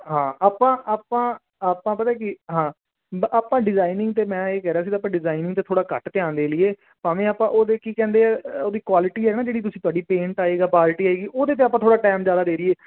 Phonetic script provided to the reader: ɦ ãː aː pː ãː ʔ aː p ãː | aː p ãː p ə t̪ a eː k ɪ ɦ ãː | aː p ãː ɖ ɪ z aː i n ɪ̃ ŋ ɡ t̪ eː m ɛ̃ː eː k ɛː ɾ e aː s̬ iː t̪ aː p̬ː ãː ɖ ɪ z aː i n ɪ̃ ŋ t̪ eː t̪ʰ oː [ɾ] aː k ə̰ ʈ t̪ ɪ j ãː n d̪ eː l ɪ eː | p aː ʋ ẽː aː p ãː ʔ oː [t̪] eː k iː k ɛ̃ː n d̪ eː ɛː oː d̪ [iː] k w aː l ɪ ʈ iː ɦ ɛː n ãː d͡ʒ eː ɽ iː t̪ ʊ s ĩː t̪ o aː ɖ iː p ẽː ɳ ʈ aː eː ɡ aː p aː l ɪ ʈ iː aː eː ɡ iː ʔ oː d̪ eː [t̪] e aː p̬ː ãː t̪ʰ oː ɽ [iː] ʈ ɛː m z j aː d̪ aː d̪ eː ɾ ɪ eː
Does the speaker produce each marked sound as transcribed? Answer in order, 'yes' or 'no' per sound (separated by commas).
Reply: no, no, yes, yes, no